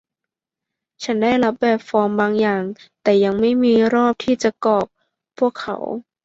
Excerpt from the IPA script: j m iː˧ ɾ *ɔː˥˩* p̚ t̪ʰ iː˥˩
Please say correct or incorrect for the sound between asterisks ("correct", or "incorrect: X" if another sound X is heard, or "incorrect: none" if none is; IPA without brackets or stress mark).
correct